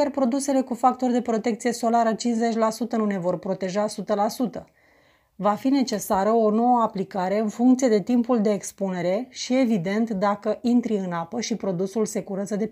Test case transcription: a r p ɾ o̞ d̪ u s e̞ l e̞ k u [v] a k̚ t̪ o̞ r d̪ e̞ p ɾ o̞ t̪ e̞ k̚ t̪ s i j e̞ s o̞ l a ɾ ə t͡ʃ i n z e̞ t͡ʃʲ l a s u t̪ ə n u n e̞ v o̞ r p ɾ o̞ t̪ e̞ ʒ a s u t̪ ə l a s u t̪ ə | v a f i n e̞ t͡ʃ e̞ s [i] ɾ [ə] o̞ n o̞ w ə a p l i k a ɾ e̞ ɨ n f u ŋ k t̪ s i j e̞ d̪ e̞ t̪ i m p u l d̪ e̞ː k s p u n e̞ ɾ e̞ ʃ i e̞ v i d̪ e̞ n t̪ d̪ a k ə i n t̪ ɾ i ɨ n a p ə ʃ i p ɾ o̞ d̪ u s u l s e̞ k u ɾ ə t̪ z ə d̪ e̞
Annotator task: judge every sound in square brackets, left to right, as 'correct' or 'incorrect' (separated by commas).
incorrect, incorrect, correct